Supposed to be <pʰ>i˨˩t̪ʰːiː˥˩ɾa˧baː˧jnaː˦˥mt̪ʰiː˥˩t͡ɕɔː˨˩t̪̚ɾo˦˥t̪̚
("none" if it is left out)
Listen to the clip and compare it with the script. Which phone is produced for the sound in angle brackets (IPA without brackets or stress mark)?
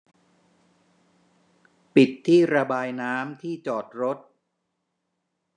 p